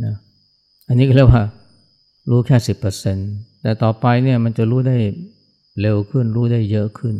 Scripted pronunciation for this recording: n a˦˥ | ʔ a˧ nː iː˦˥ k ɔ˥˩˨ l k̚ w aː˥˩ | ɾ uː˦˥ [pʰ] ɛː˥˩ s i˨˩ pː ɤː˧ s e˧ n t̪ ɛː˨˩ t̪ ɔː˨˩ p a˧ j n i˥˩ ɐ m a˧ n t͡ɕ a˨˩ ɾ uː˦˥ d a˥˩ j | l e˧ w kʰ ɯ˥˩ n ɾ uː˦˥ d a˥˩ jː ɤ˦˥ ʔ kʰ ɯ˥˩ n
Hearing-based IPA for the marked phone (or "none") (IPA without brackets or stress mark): kʰ